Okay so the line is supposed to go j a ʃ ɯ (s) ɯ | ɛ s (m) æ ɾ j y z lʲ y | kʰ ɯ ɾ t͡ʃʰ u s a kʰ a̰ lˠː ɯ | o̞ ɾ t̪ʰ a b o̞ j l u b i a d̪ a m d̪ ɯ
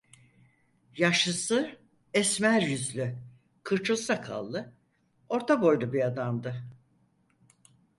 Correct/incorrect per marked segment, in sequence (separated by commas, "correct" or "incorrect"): correct, correct